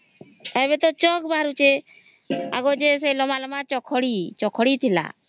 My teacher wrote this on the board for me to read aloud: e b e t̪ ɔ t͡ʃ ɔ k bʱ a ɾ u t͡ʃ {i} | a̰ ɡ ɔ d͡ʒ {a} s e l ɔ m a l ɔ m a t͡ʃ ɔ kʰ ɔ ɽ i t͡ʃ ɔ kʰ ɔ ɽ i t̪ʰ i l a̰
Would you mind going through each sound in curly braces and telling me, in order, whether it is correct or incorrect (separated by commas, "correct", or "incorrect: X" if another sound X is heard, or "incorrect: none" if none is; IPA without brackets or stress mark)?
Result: incorrect: e, incorrect: e